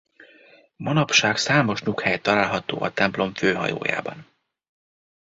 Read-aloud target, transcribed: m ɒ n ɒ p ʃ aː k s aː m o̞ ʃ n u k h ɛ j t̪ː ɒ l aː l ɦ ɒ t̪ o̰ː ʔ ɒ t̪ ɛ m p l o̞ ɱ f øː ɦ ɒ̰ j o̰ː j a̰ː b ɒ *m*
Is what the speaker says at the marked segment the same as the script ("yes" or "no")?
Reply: no